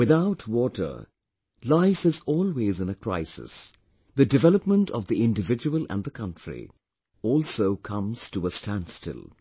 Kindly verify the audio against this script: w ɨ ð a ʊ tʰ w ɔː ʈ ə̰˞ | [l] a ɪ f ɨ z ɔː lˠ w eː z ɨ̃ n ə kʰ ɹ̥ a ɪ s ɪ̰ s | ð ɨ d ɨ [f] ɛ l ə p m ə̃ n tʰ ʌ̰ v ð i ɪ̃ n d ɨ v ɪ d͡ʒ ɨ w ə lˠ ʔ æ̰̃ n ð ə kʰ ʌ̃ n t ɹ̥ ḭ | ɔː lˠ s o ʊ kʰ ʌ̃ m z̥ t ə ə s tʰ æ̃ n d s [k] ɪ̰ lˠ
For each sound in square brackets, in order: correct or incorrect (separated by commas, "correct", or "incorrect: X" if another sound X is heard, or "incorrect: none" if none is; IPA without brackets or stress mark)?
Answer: correct, incorrect: v, incorrect: t